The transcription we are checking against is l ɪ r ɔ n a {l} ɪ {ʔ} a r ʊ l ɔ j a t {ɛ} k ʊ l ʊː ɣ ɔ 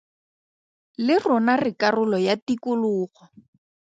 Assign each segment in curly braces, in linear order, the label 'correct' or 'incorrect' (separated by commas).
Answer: incorrect, incorrect, incorrect